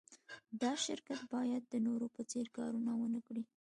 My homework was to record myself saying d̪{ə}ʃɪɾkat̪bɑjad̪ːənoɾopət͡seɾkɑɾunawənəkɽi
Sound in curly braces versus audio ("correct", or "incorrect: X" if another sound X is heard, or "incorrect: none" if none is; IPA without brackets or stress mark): incorrect: ɑ